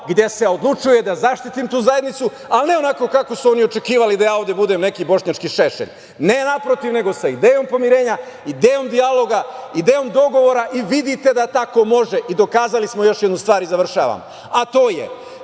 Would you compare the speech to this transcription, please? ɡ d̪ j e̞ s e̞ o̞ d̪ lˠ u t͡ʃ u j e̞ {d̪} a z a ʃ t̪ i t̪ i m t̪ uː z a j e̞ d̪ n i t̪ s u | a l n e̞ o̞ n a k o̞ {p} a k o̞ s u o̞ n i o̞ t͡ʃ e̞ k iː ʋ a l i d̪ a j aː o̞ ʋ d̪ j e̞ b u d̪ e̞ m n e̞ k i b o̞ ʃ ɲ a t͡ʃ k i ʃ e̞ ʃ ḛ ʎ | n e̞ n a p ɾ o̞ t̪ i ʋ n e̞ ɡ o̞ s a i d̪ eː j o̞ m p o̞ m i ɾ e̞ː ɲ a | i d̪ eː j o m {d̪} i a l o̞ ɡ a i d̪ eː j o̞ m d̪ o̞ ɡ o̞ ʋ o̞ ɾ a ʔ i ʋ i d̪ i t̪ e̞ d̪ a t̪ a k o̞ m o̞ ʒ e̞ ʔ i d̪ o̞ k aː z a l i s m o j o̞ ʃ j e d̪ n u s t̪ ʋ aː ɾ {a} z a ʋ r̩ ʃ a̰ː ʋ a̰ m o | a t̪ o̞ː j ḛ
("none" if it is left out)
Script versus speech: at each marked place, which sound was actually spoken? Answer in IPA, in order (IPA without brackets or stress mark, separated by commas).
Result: d̪, k, d̪, i